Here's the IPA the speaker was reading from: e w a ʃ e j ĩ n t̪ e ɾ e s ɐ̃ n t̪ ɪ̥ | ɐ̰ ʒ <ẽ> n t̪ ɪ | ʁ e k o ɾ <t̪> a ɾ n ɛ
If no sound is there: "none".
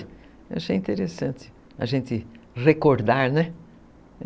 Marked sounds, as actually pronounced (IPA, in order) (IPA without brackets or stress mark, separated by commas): ẽ, d̪